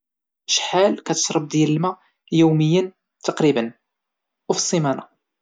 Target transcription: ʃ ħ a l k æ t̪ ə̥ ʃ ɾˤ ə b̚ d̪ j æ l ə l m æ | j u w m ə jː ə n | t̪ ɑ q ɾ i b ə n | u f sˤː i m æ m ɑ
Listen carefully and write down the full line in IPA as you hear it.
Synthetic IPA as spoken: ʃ ħ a l k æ t̪ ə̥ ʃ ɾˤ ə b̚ d̪ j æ l ə l m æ | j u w m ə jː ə n | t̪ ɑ q ɾ i b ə n | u f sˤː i m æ n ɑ